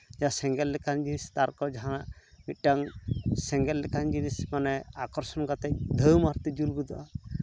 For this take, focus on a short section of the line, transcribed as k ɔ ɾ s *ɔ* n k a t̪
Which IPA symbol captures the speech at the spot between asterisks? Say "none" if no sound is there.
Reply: ɔ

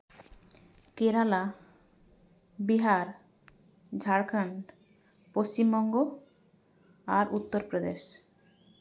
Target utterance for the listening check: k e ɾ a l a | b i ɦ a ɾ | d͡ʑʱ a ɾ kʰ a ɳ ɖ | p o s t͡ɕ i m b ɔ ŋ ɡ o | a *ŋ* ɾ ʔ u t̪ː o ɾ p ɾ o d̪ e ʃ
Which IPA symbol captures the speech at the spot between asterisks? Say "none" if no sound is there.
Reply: none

